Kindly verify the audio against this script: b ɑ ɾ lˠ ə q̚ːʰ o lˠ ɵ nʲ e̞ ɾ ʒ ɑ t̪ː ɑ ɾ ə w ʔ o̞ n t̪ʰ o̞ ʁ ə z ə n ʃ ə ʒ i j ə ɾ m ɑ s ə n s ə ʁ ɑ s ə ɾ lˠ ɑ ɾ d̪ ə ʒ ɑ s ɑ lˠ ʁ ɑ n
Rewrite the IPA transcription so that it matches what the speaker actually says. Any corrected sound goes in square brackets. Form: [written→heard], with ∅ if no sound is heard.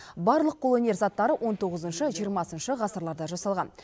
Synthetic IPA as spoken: b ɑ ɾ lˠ ə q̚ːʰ o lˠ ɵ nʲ e̞ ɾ [ʒ→z] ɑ t̪ː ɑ ɾ ə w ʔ o̞ n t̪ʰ o̞ ʁ ə z ə n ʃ ə ʒ i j ə ɾ m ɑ s ə n [s→ʃ] ə ʁ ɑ s ə ɾ lˠ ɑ ɾ d̪ [ə→ɑ] ʒ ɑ s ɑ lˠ ʁ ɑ n